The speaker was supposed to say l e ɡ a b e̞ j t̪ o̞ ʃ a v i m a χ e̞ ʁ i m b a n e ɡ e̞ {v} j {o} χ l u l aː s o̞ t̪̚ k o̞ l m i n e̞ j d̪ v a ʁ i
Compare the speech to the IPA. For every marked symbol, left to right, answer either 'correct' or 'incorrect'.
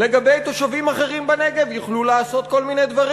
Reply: correct, incorrect: u

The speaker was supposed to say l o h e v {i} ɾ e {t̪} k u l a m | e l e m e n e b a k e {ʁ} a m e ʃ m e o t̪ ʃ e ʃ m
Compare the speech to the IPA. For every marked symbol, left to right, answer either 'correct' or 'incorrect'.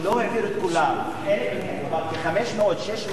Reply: correct, correct, incorrect: χ

